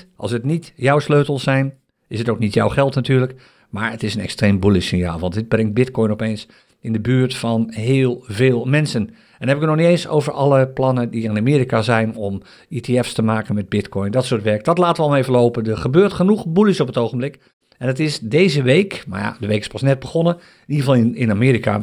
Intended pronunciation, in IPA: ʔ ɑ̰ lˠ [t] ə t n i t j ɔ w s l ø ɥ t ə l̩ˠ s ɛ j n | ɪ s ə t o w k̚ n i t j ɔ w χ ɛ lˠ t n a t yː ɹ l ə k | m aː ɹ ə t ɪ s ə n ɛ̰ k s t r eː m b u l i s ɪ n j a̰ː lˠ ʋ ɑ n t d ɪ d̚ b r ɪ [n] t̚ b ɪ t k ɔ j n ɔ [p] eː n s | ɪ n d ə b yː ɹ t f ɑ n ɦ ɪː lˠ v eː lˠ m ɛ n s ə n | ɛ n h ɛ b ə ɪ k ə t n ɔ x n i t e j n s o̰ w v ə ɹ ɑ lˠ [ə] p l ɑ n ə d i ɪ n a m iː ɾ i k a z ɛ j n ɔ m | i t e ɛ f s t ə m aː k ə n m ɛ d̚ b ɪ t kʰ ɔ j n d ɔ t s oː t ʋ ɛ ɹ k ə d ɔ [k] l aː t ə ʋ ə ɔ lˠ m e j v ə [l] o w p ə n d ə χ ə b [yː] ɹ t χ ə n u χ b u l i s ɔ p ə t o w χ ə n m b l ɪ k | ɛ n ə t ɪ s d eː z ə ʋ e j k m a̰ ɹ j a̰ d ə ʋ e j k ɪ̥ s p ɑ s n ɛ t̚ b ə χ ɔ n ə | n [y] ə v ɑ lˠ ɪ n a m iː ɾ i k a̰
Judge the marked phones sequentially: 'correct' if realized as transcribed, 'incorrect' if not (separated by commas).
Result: incorrect, incorrect, correct, correct, incorrect, correct, incorrect, incorrect